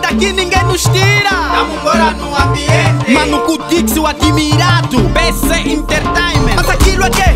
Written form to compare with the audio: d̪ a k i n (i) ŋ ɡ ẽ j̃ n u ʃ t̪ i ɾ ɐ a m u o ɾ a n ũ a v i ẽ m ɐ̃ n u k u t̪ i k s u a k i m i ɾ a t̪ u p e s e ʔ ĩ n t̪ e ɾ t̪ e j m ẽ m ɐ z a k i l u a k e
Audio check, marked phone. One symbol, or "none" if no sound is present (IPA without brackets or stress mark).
ĩ